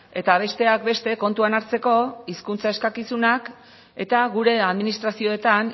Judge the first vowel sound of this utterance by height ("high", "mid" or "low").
mid